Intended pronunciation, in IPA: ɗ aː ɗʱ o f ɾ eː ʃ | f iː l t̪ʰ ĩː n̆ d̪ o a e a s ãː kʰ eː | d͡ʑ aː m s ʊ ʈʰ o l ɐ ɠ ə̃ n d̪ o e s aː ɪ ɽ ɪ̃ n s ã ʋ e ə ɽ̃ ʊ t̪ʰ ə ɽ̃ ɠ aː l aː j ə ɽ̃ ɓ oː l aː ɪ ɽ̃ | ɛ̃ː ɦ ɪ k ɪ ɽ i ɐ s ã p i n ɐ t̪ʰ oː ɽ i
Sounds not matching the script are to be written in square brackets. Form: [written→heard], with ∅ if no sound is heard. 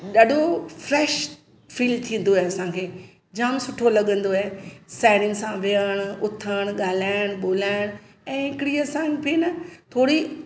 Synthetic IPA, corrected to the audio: ɗ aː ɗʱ o f ɾ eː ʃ | f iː l t̪ʰ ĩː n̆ d̪ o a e [a→ɐ] s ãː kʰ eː | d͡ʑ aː m s ʊ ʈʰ o l ɐ ɠ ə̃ n d̪ o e s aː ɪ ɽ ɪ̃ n s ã ʋ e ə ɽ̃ ʊ t̪ʰ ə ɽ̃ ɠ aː l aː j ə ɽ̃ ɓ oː l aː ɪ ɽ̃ | ɛ̃ː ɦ ɪ k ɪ ɽ i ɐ s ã p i n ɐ t̪ʰ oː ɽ i